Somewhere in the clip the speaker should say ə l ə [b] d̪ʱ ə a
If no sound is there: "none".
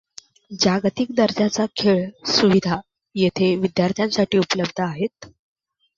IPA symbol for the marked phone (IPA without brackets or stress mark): b